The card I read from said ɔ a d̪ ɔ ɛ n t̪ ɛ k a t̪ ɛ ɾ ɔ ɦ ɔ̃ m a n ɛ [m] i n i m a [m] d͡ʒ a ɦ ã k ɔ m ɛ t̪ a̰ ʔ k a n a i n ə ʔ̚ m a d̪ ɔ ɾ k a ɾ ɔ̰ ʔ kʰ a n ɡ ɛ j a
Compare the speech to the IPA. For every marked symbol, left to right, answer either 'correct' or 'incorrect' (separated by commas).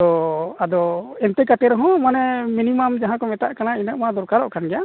correct, correct